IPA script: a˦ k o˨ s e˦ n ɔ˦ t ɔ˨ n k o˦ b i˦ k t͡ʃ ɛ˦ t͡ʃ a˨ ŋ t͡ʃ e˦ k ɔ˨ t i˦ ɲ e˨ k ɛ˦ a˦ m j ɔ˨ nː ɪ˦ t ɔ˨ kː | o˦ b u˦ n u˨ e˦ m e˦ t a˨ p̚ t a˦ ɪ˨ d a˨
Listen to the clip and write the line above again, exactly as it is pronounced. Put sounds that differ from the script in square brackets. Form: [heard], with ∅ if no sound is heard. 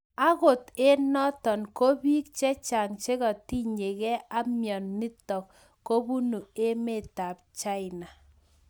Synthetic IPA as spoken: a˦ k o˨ [t] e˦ n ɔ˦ t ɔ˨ n k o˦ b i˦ k t͡ʃ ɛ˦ t͡ʃ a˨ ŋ t͡ʃ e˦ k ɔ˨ t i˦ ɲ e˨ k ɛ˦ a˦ m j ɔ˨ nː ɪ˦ t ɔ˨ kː | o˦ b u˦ n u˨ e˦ m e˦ t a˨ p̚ [t͡ʃ] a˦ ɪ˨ [n] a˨